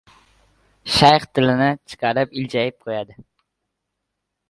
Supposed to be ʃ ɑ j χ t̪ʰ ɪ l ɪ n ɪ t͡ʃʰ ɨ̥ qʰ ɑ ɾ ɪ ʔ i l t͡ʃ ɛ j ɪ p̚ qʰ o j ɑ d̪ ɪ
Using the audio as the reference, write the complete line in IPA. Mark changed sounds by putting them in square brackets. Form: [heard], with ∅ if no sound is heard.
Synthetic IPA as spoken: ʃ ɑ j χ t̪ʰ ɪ l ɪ n ɪ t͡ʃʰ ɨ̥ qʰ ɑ ɾ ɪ [p] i l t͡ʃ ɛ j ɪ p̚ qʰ o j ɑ d̪ ɪ